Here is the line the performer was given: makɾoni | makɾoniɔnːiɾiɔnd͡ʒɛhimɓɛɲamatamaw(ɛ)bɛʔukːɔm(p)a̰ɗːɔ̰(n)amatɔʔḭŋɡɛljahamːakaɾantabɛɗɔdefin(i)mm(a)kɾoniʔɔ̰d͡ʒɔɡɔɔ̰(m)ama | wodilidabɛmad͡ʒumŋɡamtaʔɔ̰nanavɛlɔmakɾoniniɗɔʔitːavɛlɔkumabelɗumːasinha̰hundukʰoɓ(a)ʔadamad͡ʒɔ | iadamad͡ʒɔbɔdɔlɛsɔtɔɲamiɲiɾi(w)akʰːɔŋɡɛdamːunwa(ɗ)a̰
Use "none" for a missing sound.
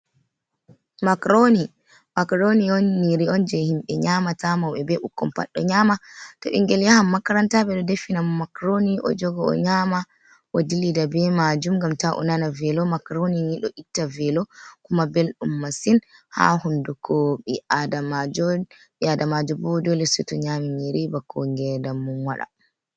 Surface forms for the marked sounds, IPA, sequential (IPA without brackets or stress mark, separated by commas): ɛ, p, ɲ, a, a, ɲ, i, b, ɗ